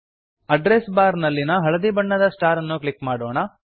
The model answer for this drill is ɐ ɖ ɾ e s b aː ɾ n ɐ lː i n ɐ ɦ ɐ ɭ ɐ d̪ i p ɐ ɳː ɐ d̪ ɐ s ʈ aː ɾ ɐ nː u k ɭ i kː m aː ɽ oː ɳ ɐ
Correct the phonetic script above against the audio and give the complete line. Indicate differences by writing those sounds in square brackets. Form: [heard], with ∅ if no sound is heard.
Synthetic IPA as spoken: ɐ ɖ ɾ e s b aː ɾ n ɐ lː i n ɐ ɦ ɐ ɭ ɐ d̪ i [b] ɐ ɳː ɐ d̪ ɐ s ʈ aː ɾ ɐ nː u k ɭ i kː m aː ɽ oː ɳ ɐ